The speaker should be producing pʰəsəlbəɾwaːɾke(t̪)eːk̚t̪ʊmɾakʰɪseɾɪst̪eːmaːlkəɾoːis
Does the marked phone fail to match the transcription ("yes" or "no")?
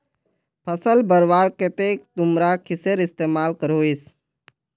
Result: no